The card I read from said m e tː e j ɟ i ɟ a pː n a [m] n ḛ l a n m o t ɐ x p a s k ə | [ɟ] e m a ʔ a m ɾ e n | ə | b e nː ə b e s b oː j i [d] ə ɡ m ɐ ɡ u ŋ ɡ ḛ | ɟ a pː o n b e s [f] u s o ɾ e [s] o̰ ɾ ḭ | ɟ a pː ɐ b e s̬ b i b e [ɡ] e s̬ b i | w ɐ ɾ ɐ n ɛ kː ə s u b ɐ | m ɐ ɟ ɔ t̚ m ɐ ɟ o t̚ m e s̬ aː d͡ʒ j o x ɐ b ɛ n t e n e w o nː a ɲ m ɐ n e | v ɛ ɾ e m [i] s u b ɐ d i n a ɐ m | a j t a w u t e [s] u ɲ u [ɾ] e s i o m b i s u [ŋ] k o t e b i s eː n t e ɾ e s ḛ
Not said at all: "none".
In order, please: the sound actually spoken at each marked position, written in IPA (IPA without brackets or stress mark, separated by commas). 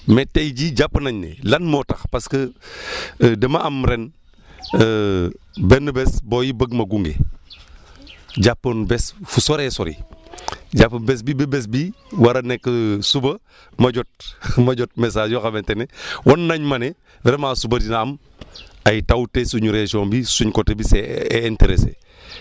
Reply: ɲ, d, b, f, s, b, a, s, ɾ, ɲ